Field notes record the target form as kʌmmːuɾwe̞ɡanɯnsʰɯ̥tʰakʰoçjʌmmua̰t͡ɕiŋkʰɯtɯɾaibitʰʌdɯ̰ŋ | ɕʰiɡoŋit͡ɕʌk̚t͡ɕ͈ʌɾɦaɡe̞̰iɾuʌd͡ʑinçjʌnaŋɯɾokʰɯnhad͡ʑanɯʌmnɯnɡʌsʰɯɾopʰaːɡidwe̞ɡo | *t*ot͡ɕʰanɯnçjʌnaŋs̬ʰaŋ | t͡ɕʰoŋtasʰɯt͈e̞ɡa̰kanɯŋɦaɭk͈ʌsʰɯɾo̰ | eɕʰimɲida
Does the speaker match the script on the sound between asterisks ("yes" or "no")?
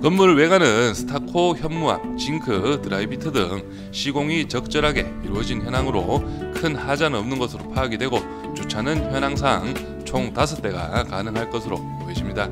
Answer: no